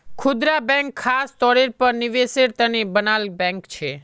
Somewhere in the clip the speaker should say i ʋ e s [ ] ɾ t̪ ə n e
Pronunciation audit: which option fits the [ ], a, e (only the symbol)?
e